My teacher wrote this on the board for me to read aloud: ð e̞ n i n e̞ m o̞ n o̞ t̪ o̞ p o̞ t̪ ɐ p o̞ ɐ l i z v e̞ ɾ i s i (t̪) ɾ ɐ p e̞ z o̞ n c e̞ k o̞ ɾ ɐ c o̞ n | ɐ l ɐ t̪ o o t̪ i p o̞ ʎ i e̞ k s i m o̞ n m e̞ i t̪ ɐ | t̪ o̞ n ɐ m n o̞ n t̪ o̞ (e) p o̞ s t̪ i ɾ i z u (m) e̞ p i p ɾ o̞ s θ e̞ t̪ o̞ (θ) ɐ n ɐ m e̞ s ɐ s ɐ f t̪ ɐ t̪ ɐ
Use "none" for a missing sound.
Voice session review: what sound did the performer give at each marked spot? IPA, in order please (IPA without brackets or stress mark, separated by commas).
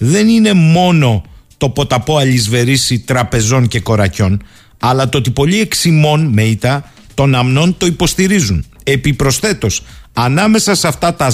t̪, i, n, s